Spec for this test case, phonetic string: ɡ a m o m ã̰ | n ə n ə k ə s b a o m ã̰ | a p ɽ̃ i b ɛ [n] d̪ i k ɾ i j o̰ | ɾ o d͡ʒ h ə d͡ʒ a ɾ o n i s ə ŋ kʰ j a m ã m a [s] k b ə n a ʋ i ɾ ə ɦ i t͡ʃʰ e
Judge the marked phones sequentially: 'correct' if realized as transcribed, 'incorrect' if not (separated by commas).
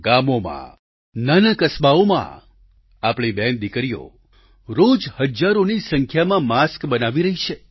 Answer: correct, correct